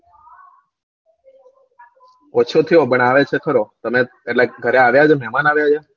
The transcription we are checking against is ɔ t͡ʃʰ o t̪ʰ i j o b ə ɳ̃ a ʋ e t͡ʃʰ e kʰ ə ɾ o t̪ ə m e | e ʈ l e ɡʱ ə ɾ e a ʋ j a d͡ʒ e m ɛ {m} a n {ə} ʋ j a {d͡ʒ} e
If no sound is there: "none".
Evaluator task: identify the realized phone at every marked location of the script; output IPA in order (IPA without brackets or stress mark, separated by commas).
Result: m, a, d͡ʒ